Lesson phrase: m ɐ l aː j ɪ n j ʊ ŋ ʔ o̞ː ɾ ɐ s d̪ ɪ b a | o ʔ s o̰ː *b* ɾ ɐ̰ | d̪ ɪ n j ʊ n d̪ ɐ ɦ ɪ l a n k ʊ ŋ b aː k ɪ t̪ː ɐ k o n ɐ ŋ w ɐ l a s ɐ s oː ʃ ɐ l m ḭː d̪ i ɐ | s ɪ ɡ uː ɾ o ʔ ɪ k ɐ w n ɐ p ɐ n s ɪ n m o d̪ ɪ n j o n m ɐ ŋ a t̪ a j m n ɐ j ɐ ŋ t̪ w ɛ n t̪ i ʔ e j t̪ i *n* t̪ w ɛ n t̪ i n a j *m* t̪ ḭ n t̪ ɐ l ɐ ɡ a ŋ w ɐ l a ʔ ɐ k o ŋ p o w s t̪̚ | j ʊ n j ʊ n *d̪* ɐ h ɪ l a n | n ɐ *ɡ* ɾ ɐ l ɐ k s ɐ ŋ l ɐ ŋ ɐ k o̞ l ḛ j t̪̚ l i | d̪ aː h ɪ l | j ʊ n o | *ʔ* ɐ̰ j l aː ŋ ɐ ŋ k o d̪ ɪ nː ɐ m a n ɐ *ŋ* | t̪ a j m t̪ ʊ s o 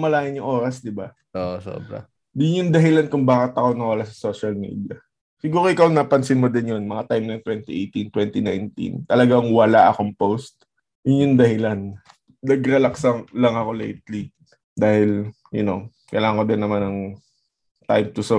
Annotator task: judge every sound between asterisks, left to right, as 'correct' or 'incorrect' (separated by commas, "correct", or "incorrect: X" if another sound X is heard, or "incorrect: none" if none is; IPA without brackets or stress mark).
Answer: correct, correct, incorrect: n, correct, correct, incorrect: k, correct